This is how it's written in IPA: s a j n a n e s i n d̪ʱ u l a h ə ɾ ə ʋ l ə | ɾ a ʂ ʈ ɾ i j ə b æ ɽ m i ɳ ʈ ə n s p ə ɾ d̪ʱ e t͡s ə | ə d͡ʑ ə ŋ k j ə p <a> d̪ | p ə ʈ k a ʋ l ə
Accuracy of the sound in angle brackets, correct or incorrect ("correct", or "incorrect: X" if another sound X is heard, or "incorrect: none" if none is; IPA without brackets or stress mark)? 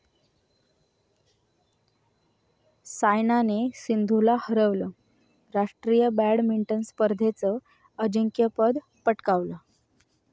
incorrect: ə